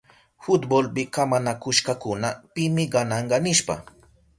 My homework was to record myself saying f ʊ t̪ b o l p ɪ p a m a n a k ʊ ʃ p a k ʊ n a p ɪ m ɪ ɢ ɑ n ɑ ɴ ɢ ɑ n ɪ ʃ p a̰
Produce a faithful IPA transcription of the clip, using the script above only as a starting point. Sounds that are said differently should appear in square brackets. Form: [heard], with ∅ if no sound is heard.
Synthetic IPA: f ʊ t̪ b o l p ɪ [k] a m a n a k ʊ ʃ [k] a k ʊ n a p ɪ m ɪ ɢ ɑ n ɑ ɴ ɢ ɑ n ɪ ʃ p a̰

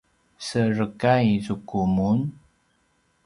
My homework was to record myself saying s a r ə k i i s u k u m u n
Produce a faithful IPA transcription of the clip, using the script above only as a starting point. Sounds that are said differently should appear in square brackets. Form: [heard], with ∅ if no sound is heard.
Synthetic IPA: s [ə] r ə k [a] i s u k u m u n

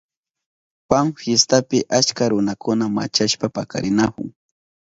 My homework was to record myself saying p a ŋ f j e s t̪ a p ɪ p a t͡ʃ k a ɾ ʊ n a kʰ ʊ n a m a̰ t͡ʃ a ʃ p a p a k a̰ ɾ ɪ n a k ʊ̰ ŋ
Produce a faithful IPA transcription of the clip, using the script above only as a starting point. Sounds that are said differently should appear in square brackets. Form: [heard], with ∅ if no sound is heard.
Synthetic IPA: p a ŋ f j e s t̪ a p ɪ [ʔ] a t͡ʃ k a ɾ ʊ n a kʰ ʊ n a m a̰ t͡ʃ a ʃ p a p a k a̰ ɾ ɪ n a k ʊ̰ ŋ

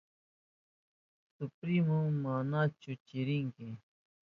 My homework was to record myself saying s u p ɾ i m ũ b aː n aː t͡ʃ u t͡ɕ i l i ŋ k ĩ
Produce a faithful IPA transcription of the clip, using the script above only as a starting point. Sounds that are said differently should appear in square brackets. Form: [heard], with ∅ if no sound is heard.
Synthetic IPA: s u p ɾ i m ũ [m] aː n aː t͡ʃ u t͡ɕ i [ɾ] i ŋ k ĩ

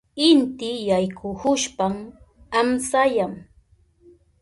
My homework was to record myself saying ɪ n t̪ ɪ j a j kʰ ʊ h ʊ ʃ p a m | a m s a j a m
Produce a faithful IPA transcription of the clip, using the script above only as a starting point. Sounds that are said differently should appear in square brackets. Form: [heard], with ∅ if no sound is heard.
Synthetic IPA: ɪ n t̪ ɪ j a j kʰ ʊ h ʊ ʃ p a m | a m s a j a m

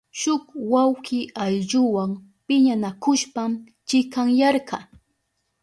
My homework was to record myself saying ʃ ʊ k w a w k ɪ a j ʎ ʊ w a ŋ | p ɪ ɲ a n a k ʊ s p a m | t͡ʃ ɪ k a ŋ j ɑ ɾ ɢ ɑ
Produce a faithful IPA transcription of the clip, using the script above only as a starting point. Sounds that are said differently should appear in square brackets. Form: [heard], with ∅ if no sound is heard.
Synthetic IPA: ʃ ʊ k w a w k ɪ a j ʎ ʊ w a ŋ | p ɪ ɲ a n a k ʊ [ʃ] p a m | t͡ʃ ɪ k a ŋ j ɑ ɾ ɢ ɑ

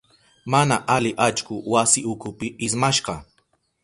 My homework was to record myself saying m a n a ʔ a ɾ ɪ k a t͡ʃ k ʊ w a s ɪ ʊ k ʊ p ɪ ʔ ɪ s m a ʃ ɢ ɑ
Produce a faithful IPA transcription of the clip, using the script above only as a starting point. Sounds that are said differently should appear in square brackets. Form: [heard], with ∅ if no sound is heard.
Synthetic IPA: m a n a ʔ a [l] ɪ [ʔ] a t͡ʃ k ʊ w a s ɪ ʊ k ʊ p ɪ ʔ ɪ s m a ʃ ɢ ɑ

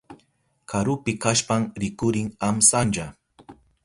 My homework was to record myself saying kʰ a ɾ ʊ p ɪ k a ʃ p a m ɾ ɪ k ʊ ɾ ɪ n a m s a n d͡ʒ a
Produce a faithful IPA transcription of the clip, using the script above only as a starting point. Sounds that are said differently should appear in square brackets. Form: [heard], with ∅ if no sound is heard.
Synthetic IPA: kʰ a ɾ ʊ p ɪ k a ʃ p a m ɾ ɪ k ʊ ɾ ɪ [ŋ] a m s a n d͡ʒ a

